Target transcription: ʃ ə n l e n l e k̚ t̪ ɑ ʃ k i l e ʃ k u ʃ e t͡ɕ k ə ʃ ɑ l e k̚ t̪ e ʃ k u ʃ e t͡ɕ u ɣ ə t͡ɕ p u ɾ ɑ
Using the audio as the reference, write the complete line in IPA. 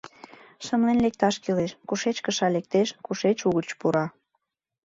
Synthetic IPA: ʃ ə m l e n l e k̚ t̪ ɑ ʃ k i l e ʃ k u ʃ e t͡ɕ k ə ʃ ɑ l e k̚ t̪ e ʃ k u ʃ e t͡ɕ u ɣ ə t͡ɕ p u ɾ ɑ